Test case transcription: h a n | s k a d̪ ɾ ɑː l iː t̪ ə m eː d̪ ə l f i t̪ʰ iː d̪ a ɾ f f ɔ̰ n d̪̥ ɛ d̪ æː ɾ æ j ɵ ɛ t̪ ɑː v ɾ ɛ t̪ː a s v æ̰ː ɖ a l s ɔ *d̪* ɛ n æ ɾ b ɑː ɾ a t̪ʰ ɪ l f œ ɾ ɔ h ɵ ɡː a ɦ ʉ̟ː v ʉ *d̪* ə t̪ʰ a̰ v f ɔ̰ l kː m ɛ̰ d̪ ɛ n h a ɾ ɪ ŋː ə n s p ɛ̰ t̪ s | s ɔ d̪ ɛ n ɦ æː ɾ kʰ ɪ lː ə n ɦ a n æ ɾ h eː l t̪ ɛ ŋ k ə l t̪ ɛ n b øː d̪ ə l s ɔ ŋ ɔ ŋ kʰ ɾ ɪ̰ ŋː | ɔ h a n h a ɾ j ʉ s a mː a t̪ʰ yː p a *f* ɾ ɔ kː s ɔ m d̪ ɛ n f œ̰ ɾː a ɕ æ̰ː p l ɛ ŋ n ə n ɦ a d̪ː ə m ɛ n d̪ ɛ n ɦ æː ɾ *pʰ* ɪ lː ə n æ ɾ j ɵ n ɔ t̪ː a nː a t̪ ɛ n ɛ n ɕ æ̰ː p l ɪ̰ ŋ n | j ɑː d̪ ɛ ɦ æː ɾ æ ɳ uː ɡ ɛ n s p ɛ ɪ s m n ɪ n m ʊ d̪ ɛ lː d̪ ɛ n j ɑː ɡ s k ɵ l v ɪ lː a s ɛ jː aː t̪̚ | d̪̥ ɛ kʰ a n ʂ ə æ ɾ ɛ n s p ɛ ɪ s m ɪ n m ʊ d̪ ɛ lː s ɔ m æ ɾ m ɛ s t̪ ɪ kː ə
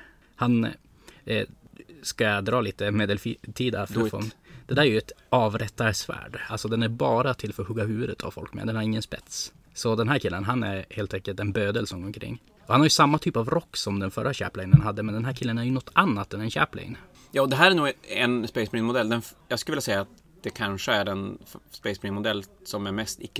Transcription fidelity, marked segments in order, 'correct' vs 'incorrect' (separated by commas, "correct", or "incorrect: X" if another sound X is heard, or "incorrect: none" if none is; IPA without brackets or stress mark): correct, correct, incorrect: v, incorrect: kʰ